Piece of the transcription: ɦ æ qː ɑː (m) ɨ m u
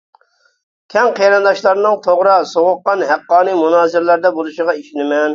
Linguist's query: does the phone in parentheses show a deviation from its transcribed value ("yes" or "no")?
yes